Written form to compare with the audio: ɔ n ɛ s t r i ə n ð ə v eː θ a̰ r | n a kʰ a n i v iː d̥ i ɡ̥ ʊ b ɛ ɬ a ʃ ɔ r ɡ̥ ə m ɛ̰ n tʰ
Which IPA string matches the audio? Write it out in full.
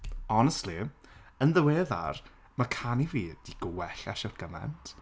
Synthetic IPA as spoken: ɔ n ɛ s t l i ə n ð ə w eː ð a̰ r | m a kʰ a n i v iː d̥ i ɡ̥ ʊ w ɛ ɬ a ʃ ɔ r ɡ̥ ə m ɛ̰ n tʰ